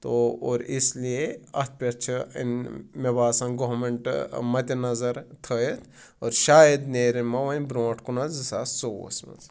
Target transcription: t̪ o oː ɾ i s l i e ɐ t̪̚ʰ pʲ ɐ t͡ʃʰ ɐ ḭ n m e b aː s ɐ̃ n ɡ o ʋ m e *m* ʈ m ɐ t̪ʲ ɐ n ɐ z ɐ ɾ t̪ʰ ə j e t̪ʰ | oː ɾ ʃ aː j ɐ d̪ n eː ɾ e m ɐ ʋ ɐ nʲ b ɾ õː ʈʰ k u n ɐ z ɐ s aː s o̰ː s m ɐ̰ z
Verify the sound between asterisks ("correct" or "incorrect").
incorrect